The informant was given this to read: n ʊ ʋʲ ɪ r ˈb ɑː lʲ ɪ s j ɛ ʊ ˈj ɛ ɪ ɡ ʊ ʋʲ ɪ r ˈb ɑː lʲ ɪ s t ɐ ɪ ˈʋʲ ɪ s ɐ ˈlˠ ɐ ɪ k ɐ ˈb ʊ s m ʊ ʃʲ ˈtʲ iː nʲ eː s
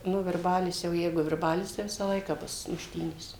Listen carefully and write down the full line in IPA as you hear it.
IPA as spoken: n ʊ ʋʲ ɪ r ˈb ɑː lʲ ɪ s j ɛ ʊ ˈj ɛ ɪ ɡ ʊ ʋʲ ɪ r ˈb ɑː lʲ ɪ s t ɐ ɪ ˈʋʲ ɪ s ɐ ˈlˠ ɐ ɪ k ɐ ˈb ʊ s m ʊ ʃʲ ˈtʲ iː nʲ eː s